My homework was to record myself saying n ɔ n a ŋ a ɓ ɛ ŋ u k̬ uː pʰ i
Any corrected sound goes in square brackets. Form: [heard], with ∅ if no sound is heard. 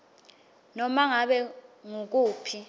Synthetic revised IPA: n ɔ [m] a ŋ a ɓ ɛ ŋ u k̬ uː pʰ i

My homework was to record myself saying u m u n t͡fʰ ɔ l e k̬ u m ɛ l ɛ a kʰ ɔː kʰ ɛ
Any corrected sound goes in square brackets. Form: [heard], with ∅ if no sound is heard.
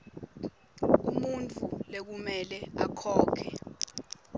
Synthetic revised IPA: u m u n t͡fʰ [u] l e k̬ u m ɛ l ɛ a kʰ ɔː kʰ ɛ

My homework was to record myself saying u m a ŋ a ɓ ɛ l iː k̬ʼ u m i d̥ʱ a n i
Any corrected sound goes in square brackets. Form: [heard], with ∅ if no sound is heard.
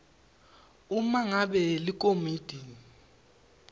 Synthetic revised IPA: u m a ŋ a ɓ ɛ l [i] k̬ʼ [o] m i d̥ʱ [i] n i

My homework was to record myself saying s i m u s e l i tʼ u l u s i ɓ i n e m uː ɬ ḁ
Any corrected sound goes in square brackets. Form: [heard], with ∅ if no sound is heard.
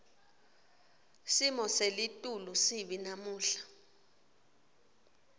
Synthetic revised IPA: s i m [ɔ] s e l i tʼ u l u s i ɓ i n [a] m uː ɬ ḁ

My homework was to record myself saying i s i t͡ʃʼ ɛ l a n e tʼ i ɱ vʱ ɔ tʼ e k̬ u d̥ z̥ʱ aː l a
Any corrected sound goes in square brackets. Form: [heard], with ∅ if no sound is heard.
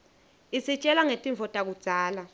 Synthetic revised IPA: i s i t͡ʃʼ ɛ l a [ŋ] e tʼ i ɱ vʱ ɔ tʼ [a] k̬ u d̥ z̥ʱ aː l a

